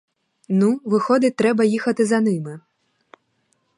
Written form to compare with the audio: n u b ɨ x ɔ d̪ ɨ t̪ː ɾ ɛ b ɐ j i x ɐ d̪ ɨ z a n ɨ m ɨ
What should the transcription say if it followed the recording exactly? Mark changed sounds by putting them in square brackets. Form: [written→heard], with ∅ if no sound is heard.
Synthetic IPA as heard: n u [b→v] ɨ x ɔ d̪ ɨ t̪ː ɾ ɛ b ɐ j i x ɐ [d̪→t̪] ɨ z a n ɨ m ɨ